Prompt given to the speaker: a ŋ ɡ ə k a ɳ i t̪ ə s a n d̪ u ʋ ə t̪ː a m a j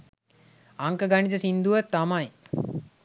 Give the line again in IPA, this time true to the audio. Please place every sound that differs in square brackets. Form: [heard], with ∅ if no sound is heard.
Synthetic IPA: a ŋ [k] ə [ɡ] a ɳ i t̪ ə s [i] n d̪ u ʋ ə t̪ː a m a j